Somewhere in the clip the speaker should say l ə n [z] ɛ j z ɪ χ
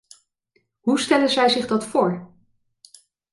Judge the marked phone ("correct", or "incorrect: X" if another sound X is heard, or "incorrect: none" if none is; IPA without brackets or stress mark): correct